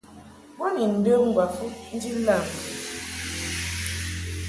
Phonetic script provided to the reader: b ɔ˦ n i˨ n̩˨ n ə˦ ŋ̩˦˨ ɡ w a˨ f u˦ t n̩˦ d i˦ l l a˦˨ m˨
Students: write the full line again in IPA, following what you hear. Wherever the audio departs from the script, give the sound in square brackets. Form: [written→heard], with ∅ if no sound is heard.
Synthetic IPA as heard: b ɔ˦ n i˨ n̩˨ [n→d] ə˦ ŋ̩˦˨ ɡ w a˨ f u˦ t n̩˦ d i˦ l l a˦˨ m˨